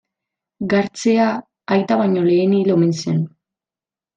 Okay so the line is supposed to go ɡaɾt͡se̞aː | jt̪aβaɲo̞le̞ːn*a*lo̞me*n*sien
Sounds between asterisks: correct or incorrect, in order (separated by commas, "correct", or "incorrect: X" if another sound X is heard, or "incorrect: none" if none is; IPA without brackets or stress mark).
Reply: incorrect: i, correct